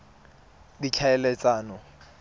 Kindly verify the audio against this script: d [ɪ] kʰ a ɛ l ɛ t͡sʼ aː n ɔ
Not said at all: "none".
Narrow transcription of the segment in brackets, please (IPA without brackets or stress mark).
i